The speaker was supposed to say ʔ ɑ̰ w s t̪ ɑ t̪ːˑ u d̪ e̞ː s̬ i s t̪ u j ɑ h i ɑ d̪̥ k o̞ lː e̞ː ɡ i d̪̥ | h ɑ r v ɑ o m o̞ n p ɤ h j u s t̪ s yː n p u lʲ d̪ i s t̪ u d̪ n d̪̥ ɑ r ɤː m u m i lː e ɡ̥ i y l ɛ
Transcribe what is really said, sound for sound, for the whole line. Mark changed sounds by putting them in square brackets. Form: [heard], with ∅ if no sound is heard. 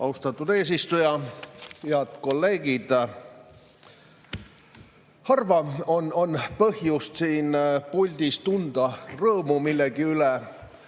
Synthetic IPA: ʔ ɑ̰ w s t̪ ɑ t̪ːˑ u d̪ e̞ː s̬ i s t̪ u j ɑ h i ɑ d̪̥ k o̞ lː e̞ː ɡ i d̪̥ | h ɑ r v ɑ o [n] o̞ n p ɤ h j u s t̪ s [iː] n p u lʲ d̪ i s t̪ u [∅] n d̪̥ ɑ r ɤː m u m i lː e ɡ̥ i y l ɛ